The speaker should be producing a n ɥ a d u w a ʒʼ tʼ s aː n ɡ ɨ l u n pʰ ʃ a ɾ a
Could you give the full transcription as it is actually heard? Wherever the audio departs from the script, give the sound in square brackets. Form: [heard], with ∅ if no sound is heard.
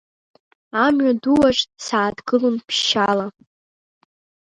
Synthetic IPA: a [m] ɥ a d u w a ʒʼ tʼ s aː [d] ɡ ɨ l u n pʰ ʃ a [l] a